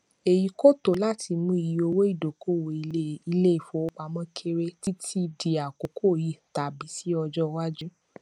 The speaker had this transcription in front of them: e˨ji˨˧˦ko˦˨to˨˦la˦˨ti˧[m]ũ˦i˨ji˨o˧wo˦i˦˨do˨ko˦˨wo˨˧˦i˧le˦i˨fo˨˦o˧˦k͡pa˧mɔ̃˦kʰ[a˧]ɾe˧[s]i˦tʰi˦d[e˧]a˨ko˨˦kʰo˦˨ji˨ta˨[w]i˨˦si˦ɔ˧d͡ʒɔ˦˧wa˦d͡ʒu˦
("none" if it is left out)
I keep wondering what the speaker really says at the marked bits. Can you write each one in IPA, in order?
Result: m, e˧, t, i˧, b

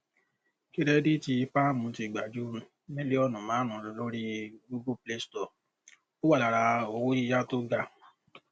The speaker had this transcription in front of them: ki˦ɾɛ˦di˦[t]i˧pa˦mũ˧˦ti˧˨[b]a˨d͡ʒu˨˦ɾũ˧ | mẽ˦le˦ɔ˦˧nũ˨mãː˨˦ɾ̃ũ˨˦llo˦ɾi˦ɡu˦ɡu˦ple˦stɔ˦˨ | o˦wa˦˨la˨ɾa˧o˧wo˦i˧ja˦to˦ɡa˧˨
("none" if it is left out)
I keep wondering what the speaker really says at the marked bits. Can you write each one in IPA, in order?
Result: t, ɡ͡b

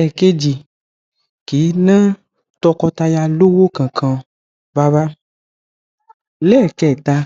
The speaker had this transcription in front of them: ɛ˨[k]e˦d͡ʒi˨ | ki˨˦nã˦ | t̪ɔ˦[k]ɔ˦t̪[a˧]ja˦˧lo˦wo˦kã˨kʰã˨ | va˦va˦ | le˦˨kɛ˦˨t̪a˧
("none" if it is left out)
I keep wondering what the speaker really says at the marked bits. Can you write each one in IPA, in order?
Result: k, k, a˧

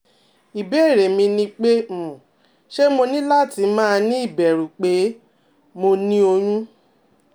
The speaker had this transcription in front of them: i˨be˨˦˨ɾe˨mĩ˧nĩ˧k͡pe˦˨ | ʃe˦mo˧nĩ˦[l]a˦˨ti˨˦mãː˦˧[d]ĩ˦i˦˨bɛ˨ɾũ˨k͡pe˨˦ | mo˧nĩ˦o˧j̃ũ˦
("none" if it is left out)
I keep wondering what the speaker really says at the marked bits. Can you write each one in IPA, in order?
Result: l, n

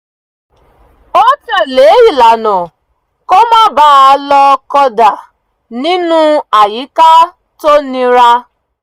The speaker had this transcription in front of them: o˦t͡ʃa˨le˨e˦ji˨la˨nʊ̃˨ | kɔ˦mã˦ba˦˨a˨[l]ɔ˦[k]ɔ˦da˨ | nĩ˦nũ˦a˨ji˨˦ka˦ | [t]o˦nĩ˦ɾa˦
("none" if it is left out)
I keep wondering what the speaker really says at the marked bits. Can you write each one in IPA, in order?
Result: l, k, t

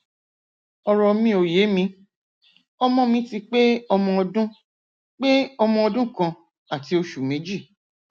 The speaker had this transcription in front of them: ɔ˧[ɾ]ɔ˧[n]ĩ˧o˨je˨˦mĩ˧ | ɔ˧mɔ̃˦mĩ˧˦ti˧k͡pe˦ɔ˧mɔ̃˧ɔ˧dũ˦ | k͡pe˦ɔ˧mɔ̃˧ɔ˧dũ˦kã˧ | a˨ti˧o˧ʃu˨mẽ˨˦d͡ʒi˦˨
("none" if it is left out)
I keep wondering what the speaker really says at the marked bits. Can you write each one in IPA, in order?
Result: ɾ, m

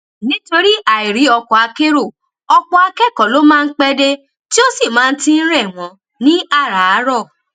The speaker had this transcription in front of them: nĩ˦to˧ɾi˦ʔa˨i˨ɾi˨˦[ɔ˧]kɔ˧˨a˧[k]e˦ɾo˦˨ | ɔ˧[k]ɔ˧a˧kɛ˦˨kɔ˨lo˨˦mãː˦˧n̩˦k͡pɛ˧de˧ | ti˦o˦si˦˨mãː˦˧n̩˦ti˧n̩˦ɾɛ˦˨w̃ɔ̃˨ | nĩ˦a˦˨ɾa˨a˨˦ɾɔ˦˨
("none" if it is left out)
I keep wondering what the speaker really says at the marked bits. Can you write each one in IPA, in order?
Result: ɔ˧, k, k͡p

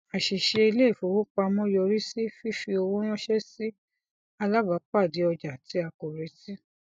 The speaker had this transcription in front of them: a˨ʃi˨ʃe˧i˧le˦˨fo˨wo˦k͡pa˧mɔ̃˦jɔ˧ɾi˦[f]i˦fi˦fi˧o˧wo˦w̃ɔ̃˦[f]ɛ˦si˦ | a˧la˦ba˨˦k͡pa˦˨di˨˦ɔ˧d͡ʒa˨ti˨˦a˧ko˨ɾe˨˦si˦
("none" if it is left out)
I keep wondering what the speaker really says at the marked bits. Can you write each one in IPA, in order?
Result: s, ʃ

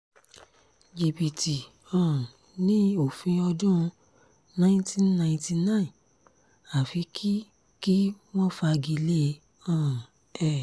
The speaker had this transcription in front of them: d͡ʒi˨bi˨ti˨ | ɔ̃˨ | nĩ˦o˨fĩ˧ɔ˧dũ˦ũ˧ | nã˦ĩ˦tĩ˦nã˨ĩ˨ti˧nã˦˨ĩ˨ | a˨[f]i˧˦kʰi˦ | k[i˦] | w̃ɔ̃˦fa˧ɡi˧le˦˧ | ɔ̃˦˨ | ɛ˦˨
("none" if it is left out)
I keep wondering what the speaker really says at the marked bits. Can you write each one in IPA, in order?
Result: f, i˦

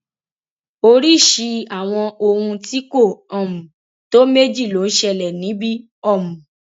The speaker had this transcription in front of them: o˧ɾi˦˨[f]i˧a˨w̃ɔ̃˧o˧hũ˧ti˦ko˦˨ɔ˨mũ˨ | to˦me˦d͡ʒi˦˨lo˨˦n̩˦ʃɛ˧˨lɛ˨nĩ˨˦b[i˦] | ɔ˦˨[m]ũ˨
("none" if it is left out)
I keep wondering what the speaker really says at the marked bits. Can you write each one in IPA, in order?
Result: ʃ, i˦, m

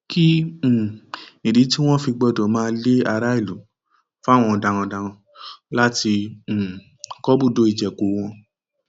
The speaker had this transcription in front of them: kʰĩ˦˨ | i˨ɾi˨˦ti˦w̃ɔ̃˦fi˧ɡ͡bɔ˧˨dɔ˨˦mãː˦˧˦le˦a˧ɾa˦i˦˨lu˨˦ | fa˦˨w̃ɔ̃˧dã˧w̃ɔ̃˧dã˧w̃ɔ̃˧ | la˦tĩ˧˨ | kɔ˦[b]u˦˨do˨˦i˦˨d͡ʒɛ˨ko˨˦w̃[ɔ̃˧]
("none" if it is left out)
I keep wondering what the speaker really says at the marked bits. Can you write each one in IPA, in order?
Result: b, ɔ̃˧

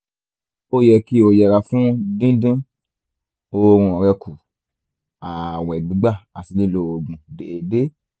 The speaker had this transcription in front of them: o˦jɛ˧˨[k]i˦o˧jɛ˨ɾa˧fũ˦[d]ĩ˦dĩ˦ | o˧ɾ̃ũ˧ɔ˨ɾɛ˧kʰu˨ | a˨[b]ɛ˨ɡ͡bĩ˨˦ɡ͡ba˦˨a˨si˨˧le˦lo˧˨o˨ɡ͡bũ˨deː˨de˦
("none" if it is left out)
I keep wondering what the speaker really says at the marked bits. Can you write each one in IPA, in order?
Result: k, d, w

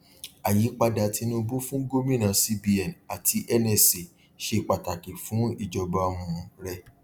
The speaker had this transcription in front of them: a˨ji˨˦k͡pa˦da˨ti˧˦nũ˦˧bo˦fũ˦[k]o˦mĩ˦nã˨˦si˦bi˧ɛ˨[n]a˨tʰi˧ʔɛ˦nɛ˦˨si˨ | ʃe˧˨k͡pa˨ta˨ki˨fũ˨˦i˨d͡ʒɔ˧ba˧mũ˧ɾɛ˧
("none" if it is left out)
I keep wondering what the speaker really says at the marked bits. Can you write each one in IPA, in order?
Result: ɡ, n

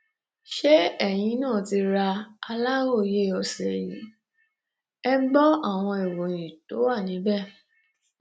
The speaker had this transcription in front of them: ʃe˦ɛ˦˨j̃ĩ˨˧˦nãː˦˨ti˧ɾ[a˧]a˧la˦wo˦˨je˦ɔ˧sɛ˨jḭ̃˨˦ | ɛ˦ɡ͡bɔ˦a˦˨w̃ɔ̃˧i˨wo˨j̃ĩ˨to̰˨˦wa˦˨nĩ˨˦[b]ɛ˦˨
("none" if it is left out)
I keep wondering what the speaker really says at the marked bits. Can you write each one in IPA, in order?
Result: a˧, b

